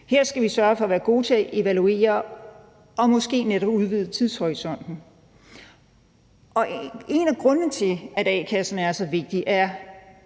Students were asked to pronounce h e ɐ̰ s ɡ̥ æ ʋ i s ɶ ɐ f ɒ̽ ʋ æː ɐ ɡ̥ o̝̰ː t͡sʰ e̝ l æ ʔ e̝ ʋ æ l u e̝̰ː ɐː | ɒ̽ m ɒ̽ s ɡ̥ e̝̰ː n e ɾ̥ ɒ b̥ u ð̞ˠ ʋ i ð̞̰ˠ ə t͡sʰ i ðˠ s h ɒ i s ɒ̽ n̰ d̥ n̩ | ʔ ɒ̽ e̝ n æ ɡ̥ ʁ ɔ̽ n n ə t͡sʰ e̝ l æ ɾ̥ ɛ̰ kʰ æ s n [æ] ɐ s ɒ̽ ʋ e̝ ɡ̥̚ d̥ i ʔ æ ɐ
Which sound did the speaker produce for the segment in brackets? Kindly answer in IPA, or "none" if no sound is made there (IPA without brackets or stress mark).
æ